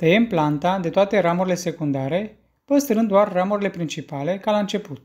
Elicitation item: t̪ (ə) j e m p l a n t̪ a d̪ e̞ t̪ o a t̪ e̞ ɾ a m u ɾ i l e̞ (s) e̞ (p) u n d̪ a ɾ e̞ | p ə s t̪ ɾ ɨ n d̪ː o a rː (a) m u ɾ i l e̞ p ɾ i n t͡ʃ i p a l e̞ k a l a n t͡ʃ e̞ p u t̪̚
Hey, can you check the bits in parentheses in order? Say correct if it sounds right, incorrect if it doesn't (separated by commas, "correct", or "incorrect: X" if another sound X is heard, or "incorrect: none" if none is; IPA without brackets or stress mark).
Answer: correct, correct, incorrect: k, correct